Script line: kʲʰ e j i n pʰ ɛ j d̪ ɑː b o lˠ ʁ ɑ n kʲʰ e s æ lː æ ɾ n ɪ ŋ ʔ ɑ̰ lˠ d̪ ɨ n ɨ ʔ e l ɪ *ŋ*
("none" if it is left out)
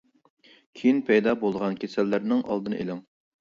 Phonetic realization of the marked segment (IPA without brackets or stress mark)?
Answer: ŋ